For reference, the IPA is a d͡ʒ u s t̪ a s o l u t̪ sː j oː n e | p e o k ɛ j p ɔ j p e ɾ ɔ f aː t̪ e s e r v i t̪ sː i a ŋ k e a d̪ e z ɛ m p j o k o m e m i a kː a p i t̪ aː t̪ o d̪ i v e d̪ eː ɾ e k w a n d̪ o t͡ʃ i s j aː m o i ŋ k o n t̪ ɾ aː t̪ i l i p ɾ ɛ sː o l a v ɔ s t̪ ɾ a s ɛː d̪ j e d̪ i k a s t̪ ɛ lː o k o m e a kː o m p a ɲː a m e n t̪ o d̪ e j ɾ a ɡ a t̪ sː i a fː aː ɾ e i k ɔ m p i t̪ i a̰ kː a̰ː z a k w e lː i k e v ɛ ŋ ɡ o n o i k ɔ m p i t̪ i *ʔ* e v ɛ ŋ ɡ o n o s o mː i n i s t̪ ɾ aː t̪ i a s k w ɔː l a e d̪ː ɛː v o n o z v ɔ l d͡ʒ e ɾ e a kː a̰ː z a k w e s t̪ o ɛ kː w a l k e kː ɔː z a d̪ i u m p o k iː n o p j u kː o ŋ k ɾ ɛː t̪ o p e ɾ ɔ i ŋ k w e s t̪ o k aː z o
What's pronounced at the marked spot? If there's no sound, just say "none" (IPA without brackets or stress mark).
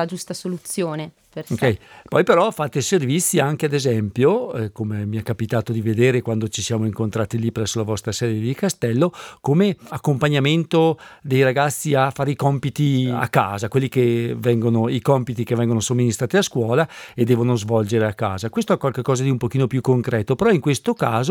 k